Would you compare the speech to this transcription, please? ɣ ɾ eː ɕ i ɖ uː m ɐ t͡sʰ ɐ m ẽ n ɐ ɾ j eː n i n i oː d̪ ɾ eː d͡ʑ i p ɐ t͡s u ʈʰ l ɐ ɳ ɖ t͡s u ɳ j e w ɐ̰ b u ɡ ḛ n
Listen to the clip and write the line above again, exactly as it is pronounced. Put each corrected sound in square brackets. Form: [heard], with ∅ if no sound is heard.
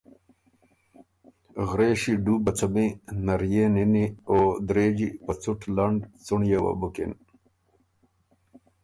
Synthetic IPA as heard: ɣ ɾ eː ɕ i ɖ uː [b] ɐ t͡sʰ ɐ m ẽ n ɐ ɾ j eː n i n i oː d̪ ɾ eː d͡ʑ i p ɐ t͡s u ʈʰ l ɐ ɳ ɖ t͡s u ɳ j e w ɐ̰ b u [k] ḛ n